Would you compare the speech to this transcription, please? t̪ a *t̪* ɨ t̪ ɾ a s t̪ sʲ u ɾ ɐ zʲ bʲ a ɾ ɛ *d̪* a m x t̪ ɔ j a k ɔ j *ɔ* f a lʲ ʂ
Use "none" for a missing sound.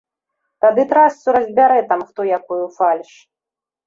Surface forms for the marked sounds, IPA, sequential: d̪, t̪, u

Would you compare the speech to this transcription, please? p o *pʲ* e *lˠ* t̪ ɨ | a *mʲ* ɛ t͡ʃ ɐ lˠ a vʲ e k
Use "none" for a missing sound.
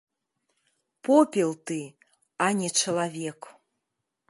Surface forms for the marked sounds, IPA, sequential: pʲ, lˠ, nʲ

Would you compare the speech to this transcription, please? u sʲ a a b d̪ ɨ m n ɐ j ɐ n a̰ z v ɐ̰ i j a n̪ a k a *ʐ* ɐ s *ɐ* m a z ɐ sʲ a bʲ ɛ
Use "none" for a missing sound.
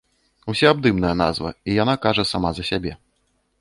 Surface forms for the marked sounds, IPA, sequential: ʐ, a

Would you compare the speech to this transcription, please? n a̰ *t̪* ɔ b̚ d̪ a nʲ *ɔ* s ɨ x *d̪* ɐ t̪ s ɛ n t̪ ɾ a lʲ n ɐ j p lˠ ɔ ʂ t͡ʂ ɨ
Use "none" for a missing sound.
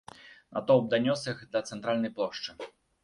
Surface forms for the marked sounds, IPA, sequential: t̪, ɔ, d̪

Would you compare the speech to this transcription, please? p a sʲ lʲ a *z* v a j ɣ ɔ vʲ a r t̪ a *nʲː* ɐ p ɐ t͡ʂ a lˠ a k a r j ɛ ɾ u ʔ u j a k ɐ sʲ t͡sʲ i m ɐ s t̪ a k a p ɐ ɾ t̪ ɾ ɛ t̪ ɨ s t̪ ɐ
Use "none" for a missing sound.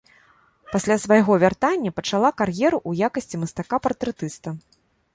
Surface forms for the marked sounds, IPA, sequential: s, nʲː

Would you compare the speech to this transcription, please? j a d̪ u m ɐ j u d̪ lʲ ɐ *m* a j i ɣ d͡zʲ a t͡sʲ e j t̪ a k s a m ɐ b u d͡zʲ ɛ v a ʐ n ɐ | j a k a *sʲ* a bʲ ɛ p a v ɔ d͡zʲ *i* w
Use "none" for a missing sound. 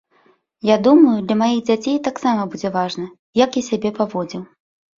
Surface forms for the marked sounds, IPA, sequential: m, sʲ, i

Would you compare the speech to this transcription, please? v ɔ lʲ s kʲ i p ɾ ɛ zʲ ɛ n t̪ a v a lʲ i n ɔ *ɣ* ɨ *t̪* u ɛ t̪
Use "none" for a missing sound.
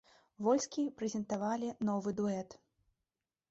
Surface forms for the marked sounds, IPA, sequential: v, d̪

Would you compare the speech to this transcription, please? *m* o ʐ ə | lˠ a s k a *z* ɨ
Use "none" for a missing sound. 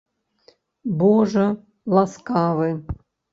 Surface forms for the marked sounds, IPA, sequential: b, v

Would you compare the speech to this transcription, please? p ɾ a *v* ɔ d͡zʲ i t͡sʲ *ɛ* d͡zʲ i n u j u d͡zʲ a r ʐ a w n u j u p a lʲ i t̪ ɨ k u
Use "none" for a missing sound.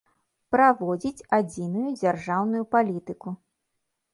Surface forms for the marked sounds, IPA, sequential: v, a

